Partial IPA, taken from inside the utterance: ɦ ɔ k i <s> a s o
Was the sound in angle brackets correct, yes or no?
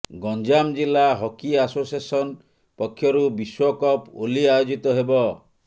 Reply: no